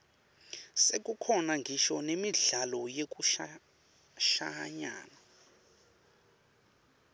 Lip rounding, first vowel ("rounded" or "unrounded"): unrounded